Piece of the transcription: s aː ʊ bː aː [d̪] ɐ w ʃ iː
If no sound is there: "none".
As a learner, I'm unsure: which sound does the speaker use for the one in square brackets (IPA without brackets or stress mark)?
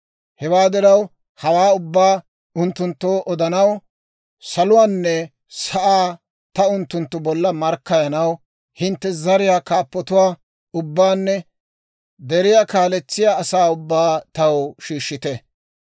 t̪